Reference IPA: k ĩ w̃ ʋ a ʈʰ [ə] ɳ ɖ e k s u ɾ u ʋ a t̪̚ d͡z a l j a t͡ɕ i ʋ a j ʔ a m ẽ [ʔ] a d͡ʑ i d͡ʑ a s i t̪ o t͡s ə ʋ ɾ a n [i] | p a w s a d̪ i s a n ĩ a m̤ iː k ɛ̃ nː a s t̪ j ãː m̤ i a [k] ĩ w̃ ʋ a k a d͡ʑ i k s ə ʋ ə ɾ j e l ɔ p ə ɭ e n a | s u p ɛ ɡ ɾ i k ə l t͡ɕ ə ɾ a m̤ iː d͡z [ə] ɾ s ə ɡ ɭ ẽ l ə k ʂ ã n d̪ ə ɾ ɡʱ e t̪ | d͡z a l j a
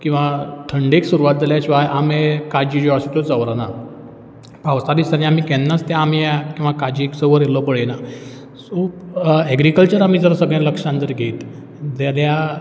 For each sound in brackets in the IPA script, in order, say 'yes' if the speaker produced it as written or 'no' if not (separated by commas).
yes, no, no, yes, yes